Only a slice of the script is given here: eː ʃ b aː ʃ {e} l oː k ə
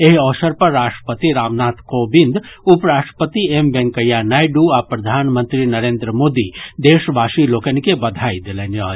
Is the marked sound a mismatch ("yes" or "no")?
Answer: yes